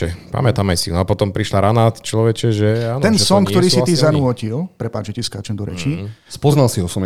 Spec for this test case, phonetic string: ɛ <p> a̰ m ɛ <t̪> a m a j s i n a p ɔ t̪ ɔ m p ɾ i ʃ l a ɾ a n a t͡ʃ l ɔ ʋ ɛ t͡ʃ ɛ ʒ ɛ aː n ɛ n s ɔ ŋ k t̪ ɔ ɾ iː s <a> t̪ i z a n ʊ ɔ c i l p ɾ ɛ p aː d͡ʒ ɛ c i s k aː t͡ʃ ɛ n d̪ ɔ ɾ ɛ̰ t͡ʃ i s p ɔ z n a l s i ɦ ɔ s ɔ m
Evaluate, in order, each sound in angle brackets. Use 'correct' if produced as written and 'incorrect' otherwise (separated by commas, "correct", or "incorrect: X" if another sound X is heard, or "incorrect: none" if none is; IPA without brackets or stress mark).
correct, correct, incorrect: i